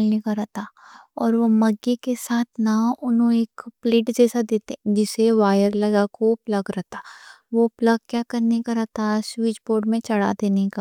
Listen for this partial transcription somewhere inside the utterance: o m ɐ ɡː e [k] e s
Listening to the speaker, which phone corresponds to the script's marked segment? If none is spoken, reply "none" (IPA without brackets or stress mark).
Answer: k